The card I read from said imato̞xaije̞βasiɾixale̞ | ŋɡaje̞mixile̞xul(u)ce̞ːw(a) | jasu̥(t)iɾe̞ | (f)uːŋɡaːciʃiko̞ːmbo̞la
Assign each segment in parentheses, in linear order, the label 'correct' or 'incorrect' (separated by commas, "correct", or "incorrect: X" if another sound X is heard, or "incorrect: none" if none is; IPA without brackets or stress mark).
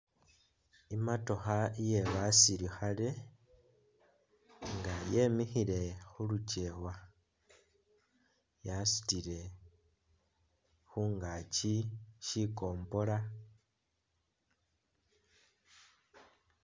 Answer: correct, correct, correct, incorrect: x